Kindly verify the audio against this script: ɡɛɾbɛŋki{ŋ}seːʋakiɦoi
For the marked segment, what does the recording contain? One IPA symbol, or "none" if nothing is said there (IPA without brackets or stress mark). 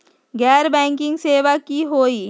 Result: ŋ